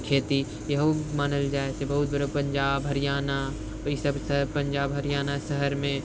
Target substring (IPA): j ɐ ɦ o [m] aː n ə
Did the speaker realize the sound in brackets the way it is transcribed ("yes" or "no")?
yes